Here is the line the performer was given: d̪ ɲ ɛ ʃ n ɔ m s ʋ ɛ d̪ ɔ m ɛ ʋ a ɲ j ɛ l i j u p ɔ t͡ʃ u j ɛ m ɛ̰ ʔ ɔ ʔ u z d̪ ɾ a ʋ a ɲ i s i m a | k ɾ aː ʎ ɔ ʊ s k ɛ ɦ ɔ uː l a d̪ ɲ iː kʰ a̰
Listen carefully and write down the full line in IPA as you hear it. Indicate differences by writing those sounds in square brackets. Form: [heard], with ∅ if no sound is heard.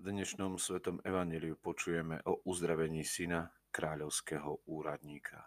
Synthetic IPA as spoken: d̪ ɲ ɛ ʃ n ɔ m s ʋ ɛ [t̪] ɔ m ɛ ʋ a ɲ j ɛ l i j u p ɔ t͡ʃ u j ɛ m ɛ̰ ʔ ɔ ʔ u z d̪ ɾ a ʋ [ɛ] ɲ [iː] s i [n] a | k ɾ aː ʎ ɔ ʊ s k ɛ ɦ ɔ uː [ɾ] a d̪ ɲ iː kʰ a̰